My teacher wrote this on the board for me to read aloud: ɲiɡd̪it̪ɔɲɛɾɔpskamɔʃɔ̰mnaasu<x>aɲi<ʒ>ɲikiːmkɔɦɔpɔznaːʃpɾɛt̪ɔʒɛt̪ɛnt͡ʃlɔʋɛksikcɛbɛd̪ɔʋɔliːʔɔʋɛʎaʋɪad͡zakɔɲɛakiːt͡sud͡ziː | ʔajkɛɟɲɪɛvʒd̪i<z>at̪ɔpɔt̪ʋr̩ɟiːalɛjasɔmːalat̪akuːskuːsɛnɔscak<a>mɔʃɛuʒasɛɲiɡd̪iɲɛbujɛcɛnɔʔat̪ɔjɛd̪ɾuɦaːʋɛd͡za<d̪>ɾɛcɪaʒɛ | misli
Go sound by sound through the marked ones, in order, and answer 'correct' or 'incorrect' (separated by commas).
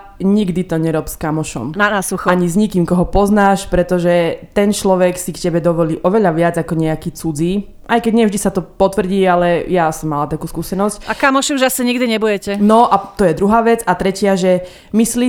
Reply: correct, incorrect, incorrect, correct, incorrect